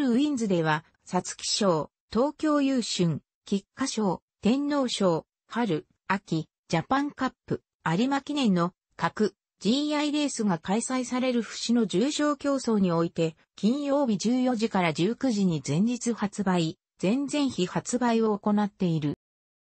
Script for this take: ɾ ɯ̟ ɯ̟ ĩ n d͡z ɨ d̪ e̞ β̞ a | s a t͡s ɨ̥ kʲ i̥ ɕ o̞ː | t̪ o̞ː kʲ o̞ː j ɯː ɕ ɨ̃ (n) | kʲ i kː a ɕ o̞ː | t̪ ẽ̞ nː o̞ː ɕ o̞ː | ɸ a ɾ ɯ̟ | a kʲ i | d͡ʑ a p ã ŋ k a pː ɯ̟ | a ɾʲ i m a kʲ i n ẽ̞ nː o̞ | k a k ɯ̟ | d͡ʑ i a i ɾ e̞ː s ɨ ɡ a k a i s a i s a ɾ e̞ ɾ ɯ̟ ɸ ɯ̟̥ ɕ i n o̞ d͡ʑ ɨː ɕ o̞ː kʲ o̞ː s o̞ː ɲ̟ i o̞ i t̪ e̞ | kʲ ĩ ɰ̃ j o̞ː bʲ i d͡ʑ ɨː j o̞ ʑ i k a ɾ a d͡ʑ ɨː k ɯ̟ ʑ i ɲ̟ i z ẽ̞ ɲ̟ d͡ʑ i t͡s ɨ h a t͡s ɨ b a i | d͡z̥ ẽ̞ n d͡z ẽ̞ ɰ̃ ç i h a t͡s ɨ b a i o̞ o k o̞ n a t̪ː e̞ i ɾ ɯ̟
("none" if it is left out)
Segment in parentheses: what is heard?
ŋ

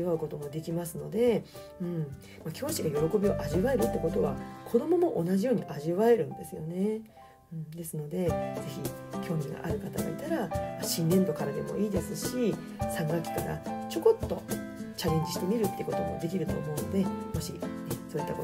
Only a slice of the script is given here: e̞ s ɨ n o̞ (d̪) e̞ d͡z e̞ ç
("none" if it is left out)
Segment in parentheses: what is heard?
d̪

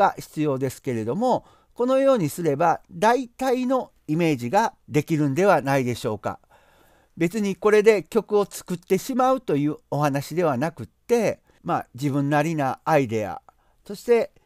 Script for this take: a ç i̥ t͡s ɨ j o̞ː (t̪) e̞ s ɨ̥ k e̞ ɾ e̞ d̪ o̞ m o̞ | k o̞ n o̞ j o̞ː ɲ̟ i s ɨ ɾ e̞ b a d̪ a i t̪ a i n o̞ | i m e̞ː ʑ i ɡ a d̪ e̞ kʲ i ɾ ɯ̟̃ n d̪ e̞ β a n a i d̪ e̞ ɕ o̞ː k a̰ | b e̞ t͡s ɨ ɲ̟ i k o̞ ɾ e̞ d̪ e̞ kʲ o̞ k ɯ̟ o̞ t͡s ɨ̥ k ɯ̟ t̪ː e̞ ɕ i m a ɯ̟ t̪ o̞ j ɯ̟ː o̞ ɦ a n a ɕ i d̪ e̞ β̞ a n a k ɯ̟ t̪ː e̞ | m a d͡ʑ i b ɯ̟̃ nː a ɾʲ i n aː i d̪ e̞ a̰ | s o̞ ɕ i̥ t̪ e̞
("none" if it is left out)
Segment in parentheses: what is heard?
d̪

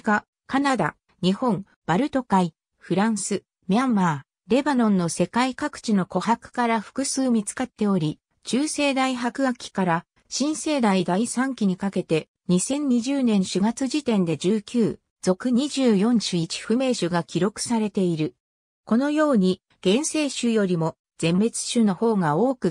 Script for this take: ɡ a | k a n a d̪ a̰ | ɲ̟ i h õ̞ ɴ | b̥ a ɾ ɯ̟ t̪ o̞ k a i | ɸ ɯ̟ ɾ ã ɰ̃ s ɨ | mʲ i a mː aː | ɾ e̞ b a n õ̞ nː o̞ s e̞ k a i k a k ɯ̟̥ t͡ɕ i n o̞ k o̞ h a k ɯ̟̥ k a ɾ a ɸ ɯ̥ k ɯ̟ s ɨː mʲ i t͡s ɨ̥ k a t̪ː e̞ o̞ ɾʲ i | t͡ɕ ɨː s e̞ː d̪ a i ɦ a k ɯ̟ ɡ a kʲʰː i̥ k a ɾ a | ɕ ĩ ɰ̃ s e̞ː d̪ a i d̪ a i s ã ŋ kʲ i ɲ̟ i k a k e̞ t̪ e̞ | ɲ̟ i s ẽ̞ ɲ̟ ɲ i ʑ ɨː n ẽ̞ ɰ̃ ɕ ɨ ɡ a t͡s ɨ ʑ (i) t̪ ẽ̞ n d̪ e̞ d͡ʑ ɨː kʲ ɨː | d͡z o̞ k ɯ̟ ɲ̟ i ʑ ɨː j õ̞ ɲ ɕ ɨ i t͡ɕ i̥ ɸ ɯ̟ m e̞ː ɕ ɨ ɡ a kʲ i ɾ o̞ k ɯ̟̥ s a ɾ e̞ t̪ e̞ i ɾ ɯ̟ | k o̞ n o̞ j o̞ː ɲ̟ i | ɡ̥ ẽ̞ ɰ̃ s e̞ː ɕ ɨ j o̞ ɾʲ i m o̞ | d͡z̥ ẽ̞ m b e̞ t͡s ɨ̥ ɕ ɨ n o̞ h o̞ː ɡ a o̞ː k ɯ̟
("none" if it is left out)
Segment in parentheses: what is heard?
i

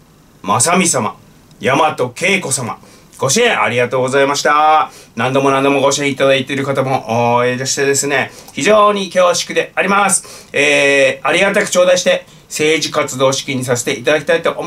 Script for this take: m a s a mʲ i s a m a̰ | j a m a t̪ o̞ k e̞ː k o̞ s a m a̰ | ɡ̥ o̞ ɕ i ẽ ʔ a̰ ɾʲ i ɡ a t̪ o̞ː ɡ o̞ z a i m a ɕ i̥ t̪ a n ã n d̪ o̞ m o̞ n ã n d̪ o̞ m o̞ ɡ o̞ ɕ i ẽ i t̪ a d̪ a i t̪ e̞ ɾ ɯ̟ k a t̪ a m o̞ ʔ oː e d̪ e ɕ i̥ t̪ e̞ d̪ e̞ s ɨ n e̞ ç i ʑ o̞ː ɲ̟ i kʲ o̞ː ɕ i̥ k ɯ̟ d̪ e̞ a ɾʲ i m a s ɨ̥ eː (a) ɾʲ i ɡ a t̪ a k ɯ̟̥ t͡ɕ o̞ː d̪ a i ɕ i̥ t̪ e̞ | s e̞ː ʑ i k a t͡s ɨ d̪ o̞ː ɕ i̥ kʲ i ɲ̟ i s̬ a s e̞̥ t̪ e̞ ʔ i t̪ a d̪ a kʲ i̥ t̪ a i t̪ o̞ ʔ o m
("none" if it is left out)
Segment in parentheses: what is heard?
a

